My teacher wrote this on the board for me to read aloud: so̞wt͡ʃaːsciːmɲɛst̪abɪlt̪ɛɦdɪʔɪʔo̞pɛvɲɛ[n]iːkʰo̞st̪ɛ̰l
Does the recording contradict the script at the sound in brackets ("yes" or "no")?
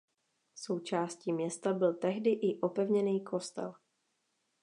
no